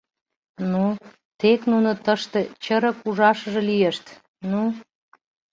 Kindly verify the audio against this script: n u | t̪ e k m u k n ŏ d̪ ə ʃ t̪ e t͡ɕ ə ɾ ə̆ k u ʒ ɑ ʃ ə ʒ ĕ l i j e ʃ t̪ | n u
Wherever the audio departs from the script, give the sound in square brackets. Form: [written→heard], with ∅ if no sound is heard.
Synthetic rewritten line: n u | t̪ e k [m→n] u [k→∅] n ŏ [d̪→t̪] ə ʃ t̪ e t͡ɕ ə ɾ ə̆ k u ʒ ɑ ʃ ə ʒ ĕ l i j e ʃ t̪ | n u